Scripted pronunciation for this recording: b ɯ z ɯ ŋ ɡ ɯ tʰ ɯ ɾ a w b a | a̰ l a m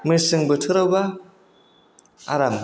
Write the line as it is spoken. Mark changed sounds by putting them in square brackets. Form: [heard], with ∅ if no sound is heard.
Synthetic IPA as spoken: [m] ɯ [s] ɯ ŋ [b] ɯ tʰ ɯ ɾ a w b a | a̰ [ɾ] a m